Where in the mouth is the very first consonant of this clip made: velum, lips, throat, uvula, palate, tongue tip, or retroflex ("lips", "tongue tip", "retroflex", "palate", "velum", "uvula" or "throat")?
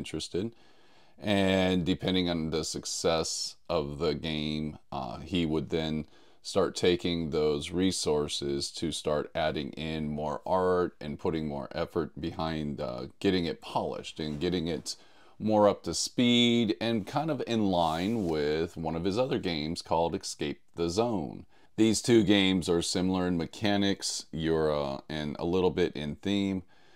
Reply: tongue tip